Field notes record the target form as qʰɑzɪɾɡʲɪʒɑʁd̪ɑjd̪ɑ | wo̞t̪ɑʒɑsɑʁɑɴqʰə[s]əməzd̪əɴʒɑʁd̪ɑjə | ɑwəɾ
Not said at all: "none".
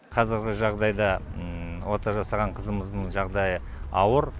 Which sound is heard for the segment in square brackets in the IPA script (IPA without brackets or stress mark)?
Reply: z